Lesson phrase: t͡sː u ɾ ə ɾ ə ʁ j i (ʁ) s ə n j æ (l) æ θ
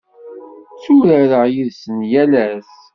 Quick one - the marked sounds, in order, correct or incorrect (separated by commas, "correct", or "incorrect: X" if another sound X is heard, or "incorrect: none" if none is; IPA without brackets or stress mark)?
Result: incorrect: ð, correct